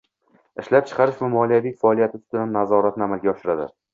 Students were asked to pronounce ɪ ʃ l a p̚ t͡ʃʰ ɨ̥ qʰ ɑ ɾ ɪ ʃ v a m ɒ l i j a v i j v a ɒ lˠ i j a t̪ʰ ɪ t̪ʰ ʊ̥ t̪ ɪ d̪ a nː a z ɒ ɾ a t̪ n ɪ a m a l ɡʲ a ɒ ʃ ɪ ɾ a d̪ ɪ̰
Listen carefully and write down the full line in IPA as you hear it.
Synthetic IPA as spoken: ɪ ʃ l a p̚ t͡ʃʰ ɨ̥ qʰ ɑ ɾ ɪ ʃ v a m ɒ l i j a v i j f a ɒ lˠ i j a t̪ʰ ɪ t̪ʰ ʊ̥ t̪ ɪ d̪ a nː a z ɒ ɾ a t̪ n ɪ a m a l ɡʲ a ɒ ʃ ɪ ɾ a d̪ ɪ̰